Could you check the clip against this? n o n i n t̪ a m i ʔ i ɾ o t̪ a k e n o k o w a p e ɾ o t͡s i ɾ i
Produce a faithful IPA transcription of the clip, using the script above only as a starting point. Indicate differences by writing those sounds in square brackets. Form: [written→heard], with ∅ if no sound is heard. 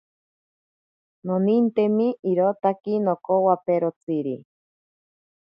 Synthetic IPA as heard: n o n i n t̪ [a→e] m i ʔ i ɾ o t̪ a k [e→i] n o k o w a p e ɾ o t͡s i ɾ i